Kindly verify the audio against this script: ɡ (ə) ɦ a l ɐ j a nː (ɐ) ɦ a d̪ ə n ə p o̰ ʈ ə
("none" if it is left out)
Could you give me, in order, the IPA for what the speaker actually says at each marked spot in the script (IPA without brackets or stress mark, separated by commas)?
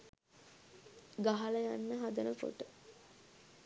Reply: a, ə